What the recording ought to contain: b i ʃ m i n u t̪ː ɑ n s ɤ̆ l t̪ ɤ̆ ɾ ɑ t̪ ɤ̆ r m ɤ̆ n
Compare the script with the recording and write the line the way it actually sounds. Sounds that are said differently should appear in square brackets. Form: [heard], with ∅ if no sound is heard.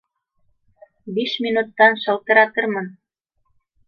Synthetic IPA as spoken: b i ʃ m i n u t̪ː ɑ n [ʃ] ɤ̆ l t̪ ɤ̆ ɾ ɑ t̪ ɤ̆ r m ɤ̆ n